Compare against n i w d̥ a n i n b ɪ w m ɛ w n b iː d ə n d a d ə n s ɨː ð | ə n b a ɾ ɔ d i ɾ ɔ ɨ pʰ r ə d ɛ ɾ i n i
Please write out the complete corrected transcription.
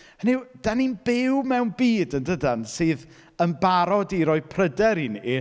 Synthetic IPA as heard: n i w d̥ a n i n b ɪ w m ɛ w n b iː d ə n d ə d a n s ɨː ð | ə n b a ɾ ɔ d i ɾ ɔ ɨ pʰ r ə d ɛ ɾ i n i